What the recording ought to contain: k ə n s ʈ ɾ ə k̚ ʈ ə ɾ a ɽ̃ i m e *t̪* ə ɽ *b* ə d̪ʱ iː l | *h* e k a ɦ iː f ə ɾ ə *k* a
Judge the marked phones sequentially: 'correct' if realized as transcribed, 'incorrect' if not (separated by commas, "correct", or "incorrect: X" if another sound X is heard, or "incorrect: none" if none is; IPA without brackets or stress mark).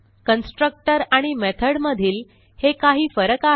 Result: incorrect: t̪ʰ, incorrect: m, correct, correct